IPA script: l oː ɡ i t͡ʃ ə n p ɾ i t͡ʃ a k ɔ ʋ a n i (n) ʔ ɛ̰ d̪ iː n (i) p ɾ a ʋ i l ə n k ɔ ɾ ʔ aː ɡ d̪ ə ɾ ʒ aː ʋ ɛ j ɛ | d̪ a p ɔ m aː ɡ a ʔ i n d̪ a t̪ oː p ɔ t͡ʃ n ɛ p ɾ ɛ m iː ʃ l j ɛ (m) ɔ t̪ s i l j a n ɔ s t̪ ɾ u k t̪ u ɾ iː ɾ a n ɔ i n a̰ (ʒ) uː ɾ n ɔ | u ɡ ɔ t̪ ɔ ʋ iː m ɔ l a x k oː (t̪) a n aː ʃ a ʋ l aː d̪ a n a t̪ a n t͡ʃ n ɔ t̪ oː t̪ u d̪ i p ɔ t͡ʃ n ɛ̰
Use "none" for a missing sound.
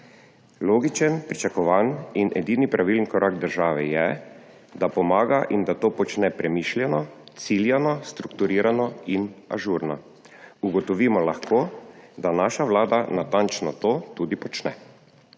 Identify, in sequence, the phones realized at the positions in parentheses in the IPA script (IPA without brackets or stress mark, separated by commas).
n, i, n, ʒ, d̪